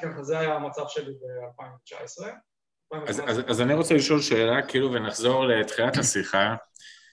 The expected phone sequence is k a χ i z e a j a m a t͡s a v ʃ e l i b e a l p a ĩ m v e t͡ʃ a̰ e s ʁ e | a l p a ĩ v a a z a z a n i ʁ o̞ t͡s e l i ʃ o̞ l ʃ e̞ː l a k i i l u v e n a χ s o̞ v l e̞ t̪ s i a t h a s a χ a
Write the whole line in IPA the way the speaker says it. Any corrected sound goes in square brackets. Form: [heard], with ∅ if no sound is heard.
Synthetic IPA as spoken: k a χ [a] z e a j a m a t͡s a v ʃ e l i b e a l p a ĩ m v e t͡ʃ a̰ e s ʁ e | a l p a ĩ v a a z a z a n i ʁ o̞ t͡s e l i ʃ o̞ l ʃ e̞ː l a k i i l u v e n a χ [z] o̞ [ʁ] l e̞ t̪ [χ] i a t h a s [i] χ a